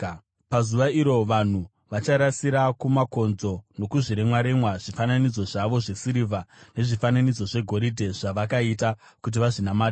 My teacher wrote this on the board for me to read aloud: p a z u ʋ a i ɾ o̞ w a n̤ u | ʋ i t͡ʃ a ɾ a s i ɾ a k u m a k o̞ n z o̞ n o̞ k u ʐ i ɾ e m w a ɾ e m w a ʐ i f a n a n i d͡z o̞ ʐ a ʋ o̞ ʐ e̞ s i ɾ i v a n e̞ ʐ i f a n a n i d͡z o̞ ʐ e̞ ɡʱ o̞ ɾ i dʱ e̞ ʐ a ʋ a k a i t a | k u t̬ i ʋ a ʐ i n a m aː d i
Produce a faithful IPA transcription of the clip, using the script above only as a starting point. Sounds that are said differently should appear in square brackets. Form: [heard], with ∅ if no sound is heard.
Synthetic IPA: p a z u ʋ a i ɾ o̞ [ʋ] a n̤ u | ʋ [a] t͡ʃ a ɾ a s i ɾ a k u m a k o̞ n z o̞ n o̞ k u ʐ i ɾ e m w a ɾ e m w a ʐ i f a n a n i d͡z o̞ ʐ a ʋ o̞ ʐ e̞ s i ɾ i v a n e̞ ʐ i f a n a n i d͡z o̞ ʐ e̞ ɡʱ o̞ ɾ i dʱ e̞ ʐ a ʋ a k a i t a | k u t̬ i ʋ a ʐ i n a m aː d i